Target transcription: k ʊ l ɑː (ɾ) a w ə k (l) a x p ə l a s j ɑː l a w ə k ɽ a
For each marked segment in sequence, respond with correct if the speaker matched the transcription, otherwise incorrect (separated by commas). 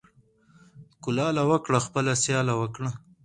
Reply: incorrect, incorrect